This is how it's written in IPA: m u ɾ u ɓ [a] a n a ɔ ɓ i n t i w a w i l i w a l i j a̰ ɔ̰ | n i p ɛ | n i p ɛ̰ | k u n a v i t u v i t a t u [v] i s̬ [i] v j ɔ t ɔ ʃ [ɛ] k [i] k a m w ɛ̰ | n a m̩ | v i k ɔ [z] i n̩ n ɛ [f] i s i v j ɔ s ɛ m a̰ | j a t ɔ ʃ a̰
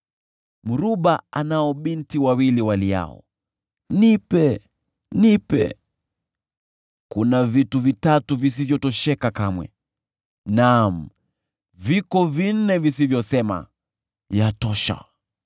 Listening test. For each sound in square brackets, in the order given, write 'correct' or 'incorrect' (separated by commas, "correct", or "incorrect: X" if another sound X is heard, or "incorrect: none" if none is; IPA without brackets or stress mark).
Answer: correct, correct, correct, correct, incorrect: a, incorrect: v, incorrect: v